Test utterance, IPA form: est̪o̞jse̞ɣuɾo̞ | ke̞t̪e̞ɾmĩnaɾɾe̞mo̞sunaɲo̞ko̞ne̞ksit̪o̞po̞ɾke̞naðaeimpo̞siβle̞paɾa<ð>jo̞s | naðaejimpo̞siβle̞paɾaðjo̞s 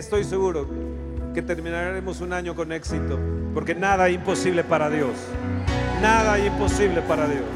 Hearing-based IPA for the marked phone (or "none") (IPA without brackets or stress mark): ð